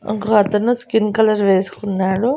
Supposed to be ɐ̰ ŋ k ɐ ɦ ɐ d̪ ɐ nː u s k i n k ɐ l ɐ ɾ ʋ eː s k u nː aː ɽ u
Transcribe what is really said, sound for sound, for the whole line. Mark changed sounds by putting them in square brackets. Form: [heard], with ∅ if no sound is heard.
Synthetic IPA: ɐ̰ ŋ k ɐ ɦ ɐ [t̪] ɐ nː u s k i n k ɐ l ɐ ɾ ʋ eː s k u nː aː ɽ u